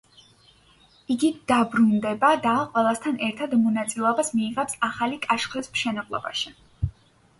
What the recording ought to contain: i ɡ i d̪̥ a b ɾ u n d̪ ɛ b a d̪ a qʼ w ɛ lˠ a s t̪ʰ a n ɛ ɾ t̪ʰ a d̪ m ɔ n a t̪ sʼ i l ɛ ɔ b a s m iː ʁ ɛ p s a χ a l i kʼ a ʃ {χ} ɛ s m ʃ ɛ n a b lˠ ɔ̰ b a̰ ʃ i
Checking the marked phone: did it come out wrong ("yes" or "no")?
no